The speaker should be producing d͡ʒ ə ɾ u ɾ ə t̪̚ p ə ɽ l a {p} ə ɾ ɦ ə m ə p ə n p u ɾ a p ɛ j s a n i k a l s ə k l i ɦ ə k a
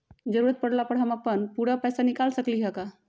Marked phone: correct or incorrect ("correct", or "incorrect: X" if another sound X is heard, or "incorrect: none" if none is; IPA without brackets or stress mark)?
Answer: correct